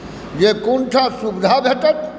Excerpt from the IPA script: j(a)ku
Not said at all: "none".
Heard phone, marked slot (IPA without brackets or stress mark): e